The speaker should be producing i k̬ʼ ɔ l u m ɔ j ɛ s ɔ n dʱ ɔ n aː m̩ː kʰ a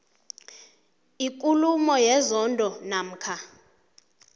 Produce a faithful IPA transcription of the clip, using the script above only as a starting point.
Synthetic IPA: i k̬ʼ u l u m ɔ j ɛ z ɔ n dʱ ɔ n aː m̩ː kʰ a